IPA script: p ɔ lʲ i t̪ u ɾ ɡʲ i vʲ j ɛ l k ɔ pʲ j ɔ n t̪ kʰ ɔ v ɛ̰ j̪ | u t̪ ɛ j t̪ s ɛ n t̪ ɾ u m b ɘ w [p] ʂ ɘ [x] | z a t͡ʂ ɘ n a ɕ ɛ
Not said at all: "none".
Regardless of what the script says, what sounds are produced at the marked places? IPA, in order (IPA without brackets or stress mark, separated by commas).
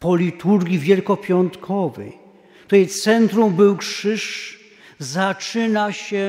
k, ʂ